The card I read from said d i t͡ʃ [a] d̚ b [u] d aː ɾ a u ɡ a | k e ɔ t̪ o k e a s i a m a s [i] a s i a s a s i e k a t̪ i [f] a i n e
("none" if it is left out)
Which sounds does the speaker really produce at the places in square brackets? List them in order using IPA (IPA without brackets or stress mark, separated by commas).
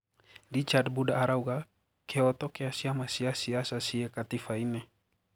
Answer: a, u, i, f